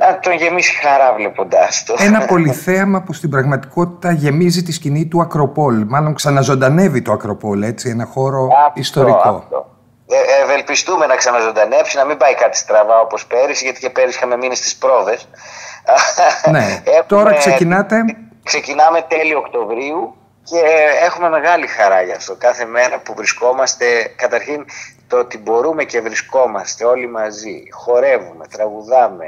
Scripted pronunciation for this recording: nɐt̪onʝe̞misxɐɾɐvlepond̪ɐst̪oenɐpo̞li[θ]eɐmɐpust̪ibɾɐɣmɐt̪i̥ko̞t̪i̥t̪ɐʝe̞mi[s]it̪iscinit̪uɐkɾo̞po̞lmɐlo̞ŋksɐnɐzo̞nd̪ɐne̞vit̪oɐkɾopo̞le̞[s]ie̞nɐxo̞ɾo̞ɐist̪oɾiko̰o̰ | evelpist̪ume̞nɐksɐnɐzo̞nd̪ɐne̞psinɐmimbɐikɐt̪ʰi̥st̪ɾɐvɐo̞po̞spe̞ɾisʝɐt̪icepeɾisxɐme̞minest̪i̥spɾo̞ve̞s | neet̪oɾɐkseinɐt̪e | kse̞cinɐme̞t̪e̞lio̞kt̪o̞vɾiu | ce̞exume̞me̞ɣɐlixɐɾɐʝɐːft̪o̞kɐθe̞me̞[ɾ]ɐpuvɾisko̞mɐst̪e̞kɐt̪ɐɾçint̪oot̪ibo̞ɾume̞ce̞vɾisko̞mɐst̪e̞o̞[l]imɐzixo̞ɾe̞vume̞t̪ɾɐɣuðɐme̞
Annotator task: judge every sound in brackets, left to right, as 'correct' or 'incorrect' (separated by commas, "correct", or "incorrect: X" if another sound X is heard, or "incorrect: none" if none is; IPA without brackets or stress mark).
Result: correct, incorrect: z, incorrect: t͡s, correct, correct